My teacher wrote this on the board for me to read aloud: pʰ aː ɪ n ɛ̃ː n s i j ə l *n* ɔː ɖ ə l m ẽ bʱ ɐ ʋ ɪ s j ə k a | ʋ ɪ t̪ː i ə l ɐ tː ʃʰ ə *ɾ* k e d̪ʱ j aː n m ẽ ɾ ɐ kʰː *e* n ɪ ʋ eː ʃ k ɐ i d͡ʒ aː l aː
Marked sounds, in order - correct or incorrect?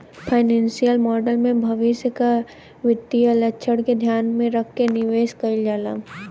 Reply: incorrect: m, incorrect: ɽ, correct

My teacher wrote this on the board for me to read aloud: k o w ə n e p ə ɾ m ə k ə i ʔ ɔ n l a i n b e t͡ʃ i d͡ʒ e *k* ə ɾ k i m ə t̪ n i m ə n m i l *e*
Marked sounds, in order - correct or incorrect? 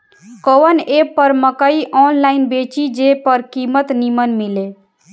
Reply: incorrect: p, correct

